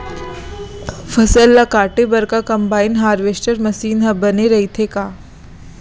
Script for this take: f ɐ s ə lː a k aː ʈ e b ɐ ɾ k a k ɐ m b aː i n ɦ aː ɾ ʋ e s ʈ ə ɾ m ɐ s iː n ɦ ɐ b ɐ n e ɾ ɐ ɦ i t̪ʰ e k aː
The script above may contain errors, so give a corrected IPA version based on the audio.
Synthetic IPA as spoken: f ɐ s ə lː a k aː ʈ e b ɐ ɾ k a k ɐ m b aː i n ɦ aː ɾ ʋ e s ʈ ə ɾ m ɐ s iː n ɦ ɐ b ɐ n e ɾ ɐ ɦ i t̪ʰ e k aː